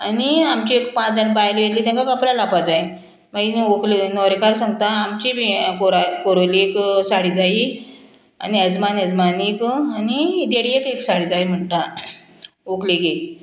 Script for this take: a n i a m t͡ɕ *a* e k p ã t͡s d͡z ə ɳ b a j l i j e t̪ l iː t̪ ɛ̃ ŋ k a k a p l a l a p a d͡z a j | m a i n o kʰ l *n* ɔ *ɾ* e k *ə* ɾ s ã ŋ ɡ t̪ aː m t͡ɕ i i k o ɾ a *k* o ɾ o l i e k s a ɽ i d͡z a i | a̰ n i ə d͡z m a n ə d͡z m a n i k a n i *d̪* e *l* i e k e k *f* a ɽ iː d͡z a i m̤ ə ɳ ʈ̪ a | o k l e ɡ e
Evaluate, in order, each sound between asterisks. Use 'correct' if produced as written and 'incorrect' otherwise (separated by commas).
incorrect, correct, correct, incorrect, correct, correct, incorrect, incorrect